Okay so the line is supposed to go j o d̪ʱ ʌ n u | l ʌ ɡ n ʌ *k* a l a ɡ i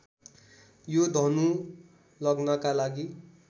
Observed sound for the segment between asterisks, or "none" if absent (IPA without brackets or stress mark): k